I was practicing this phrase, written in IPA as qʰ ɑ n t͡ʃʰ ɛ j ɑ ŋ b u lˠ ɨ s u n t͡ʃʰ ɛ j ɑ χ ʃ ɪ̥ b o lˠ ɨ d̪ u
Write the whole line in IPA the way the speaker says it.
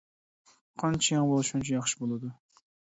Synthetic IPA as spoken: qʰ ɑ n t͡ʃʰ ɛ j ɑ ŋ b o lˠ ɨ ʃ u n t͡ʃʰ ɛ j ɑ χ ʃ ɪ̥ b o lˠ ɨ d̪ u

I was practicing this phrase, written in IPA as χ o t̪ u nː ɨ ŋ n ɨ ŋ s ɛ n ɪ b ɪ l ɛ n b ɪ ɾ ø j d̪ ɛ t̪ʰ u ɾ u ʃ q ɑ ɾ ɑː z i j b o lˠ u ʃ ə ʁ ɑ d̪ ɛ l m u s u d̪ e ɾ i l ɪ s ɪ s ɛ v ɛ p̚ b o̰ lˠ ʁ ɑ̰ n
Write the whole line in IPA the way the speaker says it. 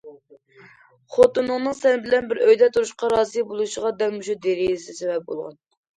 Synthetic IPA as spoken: χ o t̪ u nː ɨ ŋ n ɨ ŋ s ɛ n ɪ b ɪ l ɛ n b ɪ ɾ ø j d̪ ɛ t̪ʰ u ɾ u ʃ q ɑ ɾ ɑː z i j b o lˠ u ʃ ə ʁ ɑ d̪ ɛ l m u ʃ u d̪ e ɾ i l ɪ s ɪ s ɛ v ɛ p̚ b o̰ lˠ ʁ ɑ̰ n

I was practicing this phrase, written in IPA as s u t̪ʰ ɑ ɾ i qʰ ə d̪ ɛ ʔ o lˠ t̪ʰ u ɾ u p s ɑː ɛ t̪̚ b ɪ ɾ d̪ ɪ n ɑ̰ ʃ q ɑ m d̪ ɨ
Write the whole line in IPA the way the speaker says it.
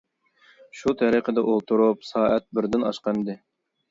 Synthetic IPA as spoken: ʃ u t̪ʰ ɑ ɾ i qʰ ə d̪ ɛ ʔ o lˠ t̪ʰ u ɾ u p s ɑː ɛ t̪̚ b ɪ ɾ d̪ ɪ n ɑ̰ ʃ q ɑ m d̪ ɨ

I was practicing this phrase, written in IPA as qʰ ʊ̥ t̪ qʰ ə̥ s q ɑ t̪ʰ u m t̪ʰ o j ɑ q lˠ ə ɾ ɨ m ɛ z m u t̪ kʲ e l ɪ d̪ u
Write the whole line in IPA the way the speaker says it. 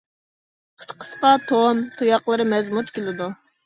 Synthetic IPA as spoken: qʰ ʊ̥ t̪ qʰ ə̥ s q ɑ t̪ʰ o m t̪ʰ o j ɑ q lˠ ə ɾ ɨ m ɛ z m u t̪ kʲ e l ɪ d̪ u

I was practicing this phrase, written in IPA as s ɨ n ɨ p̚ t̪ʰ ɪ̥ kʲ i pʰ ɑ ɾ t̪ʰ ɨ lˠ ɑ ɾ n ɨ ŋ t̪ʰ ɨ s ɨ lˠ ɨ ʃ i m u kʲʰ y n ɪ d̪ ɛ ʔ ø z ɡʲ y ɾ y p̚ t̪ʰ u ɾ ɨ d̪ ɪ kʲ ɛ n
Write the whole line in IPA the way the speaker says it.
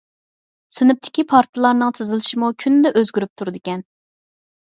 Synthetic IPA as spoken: s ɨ n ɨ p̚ t̪ʰ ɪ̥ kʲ i pʰ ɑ ɾ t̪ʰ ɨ lˠ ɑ ɾ n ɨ ŋ t̪ʰ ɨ z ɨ lˠ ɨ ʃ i m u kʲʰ y n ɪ d̪ ɛ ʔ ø z ɡʲ y ɾ y p̚ t̪ʰ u ɾ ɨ d̪ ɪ kʲ ɛ n

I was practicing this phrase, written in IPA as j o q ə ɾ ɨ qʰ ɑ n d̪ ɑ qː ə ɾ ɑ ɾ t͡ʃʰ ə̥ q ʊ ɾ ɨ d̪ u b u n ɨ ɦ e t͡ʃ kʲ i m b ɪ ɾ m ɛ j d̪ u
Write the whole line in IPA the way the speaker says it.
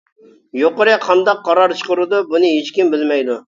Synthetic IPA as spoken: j o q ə ɾ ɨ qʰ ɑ n d̪ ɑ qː ɑ ɾ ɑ ɾ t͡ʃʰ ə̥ q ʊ ɾ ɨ d̪ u b u n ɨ ɦ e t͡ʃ kʲ i m b ɪ l m ɛ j d̪ u

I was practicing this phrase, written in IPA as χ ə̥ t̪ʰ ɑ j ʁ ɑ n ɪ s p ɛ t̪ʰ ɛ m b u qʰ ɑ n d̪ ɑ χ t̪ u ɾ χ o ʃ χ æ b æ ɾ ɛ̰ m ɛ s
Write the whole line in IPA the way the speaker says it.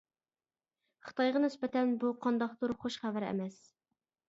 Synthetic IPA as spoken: χ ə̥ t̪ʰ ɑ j ʁ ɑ n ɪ s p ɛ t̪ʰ ɛ n b u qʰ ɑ n d̪ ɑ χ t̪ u ɾ χ o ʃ χ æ v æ ɾ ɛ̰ m ɛ s

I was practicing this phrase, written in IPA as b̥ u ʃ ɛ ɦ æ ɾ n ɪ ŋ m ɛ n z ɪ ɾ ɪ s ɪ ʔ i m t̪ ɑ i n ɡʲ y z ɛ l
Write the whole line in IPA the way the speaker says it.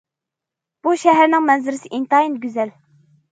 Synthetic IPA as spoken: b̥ u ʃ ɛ ɦ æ ɾ n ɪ ŋ m ɛ n z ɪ ɾ ɪ s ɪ ʔ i n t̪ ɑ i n ɡʲ y z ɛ l

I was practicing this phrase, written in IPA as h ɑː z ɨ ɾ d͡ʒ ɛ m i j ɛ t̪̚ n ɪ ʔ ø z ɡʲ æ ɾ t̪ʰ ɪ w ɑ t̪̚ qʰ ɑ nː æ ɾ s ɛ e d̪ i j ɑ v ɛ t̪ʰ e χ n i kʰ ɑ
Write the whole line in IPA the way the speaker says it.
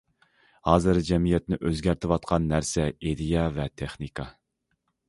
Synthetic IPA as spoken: h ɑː z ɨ ɾ d͡ʒ ɛ m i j ɛ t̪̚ n ɪ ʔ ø z ɡʲ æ ɾ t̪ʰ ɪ w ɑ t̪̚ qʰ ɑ nː æ ɾ s ɛ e d̪ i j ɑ v ɛ t̪ʰ e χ n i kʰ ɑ

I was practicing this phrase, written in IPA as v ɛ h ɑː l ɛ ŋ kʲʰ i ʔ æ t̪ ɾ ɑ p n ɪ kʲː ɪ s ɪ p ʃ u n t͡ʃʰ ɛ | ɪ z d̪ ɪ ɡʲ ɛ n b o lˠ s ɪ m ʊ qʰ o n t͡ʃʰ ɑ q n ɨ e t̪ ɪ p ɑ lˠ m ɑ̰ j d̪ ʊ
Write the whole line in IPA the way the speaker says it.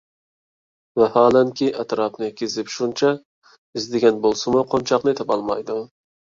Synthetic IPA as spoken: v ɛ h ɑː l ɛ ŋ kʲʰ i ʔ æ t̪ ɾ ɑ p n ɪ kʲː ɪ z ɪ p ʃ u n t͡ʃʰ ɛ | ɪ z d̪ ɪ ɡʲ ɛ n b o lˠ s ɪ m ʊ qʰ o n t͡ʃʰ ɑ q n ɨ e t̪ ɪ p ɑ lˠ m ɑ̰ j d̪ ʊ

